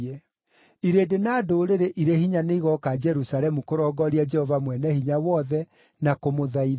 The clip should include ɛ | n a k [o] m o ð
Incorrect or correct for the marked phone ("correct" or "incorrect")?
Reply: correct